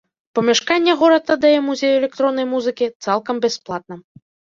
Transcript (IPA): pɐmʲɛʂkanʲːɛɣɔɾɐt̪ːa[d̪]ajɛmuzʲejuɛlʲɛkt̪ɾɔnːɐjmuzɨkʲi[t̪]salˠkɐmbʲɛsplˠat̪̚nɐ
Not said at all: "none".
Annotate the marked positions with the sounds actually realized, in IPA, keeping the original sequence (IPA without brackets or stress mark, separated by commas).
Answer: d̪, t̪